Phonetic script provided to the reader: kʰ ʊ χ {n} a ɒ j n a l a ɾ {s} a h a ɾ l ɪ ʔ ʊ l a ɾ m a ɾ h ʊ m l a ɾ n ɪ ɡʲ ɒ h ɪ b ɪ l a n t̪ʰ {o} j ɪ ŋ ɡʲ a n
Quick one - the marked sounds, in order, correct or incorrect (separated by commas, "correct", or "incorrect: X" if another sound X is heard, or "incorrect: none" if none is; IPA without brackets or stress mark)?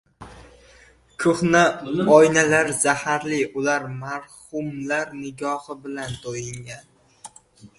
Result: correct, incorrect: z, correct